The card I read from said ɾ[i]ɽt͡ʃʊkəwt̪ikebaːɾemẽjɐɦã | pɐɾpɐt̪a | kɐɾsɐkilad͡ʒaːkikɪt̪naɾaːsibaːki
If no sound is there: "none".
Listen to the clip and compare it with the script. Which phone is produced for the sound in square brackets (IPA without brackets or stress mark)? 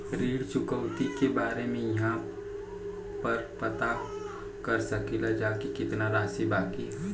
iː